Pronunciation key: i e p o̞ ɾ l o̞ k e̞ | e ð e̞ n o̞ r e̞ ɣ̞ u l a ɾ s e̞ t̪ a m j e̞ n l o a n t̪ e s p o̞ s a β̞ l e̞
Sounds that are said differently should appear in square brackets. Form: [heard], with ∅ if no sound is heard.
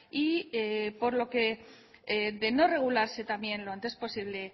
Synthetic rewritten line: i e p o̞ ɾ l o̞ k e̞ | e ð e̞ n o̞ r e̞ ɣ̞ u l a ɾ s e̞ t̪ a m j e̞ n l o a n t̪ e s p o̞ s [i] β̞ l e̞